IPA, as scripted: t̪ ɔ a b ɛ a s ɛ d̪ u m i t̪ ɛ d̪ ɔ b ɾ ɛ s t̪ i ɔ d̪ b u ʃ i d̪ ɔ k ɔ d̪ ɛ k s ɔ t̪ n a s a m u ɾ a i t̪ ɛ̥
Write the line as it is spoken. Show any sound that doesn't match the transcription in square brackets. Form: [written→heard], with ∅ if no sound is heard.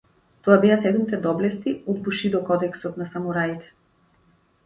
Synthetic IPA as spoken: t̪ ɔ a b ɛ a s ɛ d̪ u m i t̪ ɛ d̪ ɔ b [ɾ→l] ɛ s t̪ i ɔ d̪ b u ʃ i d̪ ɔ k ɔ d̪ ɛ k s ɔ t̪ n a s a m u ɾ a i t̪ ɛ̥

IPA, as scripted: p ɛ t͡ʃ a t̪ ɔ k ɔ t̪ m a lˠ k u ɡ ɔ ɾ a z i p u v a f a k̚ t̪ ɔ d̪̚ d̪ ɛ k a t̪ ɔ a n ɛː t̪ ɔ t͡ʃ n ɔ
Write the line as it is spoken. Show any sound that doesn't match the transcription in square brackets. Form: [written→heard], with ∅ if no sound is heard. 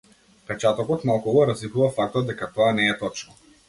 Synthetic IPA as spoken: p ɛ t͡ʃ a t̪ ɔ k ɔ t̪ m a lˠ k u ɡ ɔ ɾ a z i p u v a f a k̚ t̪ ɔ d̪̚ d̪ ɛ k a t̪ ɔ a n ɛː t̪ ɔ t͡ʃ n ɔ

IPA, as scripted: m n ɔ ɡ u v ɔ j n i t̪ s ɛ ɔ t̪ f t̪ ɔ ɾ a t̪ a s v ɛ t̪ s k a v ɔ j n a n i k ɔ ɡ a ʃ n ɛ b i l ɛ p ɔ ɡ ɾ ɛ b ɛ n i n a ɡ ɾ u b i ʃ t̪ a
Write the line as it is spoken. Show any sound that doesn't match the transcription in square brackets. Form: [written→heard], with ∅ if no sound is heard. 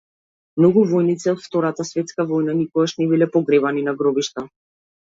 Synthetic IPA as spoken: m n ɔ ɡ u v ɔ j n i t̪ s ɛ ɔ t̪ f t̪ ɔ ɾ a t̪ a s v ɛ t̪ s k a v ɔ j n a n i k ɔ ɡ a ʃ n ɛ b i l ɛ p ɔ ɡ ɾ ɛ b [ɛ→a] n i n a ɡ ɾ [u→ɔ] b i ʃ t̪ a

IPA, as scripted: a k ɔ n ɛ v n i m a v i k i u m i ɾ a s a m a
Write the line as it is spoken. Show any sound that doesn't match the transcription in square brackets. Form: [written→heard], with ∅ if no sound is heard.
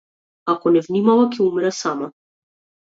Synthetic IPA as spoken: a k ɔ n ɛ v n i m a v [i→a] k [i→ɛ] u m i ɾ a s a m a

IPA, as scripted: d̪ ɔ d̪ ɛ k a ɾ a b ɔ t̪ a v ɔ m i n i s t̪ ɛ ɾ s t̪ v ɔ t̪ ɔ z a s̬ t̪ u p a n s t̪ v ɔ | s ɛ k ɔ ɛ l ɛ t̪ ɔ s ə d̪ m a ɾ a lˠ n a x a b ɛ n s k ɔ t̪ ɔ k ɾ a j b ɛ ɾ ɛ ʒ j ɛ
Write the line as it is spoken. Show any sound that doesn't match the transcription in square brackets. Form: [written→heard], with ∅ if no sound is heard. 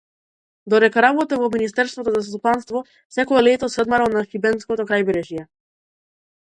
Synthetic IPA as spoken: d̪ ɔ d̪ ɛ k a ɾ a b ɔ t̪ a v ɔ m i n i s t̪ ɛ ɾ s t̪ v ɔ t̪ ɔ z a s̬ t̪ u p a n s t̪ v ɔ | s ɛ k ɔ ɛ l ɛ t̪ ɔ s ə d̪ m a ɾ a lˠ n a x [a→i] b ɛ n s k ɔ t̪ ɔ k ɾ a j b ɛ ɾ ɛ ʒ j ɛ

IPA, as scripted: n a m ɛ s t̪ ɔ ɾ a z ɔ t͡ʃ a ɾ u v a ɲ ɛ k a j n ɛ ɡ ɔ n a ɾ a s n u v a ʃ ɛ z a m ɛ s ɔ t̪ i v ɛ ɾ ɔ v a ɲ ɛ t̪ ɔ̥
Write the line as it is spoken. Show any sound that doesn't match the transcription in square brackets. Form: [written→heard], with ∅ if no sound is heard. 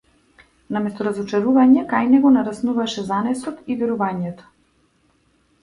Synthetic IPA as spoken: n a m ɛ s t̪ ɔ ɾ a z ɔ t͡ʃ a ɾ u v a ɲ ɛ k a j n ɛ ɡ ɔ n a ɾ a s n u v a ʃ ɛ z a [m→n] ɛ s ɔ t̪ i v ɛ ɾ [ɔ→u] v a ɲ ɛ t̪ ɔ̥

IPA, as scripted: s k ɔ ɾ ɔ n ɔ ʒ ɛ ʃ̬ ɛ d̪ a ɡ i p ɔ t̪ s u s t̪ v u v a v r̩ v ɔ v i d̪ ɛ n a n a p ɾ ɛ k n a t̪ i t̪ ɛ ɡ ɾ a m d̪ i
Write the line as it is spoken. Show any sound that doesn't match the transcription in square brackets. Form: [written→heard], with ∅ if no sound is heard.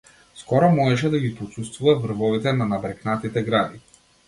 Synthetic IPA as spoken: s k ɔ ɾ ɔ [n→m] ɔ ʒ ɛ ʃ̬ ɛ d̪ a ɡ i p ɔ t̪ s u s t̪ v u v a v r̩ v ɔ v i [d̪→t̪] ɛ n a n a [p→b] ɾ ɛ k n a t̪ i t̪ ɛ ɡ ɾ a [m→∅] d̪ i

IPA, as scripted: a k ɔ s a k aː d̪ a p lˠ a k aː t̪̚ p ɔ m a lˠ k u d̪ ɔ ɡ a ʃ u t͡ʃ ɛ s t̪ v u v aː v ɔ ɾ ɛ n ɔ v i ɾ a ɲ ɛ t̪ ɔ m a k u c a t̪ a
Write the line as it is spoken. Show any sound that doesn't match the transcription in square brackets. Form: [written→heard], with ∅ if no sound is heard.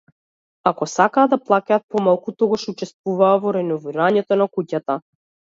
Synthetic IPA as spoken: a k ɔ s a k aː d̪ a p lˠ a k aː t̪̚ p ɔ m a lˠ k u [d̪→t̪] ɔ ɡ a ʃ u t͡ʃ ɛ s t̪ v u v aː v ɔ ɾ ɛ n ɔ v i ɾ a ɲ ɛ t̪ ɔ [m→n] a k u c a t̪ a

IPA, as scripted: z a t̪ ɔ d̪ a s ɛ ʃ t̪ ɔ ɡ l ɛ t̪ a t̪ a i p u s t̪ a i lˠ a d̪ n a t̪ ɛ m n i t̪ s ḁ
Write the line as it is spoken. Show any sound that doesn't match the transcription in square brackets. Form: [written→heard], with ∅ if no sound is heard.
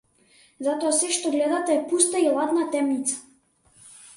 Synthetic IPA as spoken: z a t̪ ɔ [d̪→∅] a s ɛ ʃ t̪ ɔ ɡ l ɛ [t̪→d̪] a t̪ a [i→ɛ] p u s t̪ a i lˠ a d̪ n a t̪ ɛ m n i t̪ s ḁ

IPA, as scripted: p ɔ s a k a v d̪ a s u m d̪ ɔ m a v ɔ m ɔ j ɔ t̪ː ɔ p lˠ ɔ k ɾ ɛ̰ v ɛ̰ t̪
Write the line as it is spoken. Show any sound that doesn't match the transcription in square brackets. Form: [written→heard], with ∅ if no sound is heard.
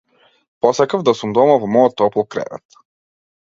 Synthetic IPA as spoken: p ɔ s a k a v d̪ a s u m d̪ ɔ m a v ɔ m ɔ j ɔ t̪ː ɔ p lˠ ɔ k ɾ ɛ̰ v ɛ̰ t̪

